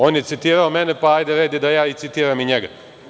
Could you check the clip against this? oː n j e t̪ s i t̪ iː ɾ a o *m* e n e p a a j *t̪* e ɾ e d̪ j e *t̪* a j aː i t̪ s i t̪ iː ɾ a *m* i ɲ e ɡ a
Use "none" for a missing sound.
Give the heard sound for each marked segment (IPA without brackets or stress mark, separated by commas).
m, d̪, d̪, m